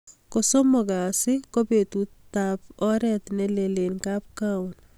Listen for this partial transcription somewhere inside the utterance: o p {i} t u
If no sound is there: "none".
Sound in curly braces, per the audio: e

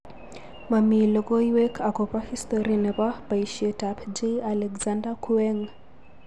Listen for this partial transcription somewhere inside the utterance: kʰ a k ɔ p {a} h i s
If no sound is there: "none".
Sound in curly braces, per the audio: a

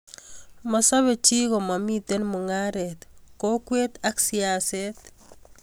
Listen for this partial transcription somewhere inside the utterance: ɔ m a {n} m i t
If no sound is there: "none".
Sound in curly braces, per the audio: none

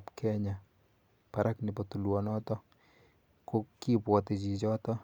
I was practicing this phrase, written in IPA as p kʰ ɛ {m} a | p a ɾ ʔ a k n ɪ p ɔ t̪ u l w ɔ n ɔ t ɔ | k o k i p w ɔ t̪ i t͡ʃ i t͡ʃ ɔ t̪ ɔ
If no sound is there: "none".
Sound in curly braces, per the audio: ɲ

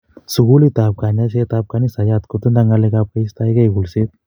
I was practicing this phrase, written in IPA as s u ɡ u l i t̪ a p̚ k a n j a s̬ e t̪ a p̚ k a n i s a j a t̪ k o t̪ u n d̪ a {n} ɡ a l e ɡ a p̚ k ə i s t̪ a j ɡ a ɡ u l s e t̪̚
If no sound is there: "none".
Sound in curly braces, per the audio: ŋ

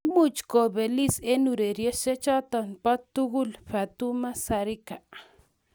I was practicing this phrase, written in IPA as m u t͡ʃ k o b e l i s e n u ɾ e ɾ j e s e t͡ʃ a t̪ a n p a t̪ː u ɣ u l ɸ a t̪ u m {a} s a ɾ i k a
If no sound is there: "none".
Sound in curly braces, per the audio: a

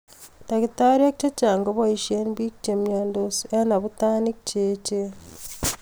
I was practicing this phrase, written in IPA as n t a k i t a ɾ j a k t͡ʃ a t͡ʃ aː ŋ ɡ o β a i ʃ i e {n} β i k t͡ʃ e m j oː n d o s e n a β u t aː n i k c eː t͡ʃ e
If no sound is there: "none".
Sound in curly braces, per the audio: n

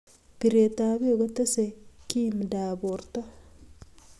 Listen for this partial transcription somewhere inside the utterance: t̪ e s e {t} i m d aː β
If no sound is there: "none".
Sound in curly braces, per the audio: k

